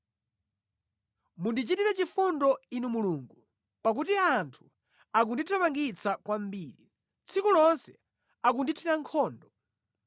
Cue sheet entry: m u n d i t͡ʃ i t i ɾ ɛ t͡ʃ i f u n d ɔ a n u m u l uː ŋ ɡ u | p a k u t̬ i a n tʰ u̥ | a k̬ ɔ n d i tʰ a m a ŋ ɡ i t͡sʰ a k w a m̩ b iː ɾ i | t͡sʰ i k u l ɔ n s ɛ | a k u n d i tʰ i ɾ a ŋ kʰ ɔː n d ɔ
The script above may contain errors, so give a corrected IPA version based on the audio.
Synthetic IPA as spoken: m u n d i t͡ʃ i t i ɾ ɛ t͡ʃ i f u n d ɔ i n u m u l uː ŋ ɡ u | p a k u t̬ i a n tʰ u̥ | a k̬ u n d i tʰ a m a ŋ ɡ i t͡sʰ a k w a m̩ b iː ɾ i | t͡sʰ i k u l ɔ n s ɛ | a k u n d i tʰ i ɾ a ŋ kʰ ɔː n d ɔ